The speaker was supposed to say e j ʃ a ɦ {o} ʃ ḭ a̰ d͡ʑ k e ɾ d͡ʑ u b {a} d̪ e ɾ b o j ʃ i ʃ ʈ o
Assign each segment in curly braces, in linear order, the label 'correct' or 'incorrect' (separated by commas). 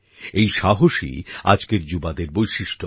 correct, correct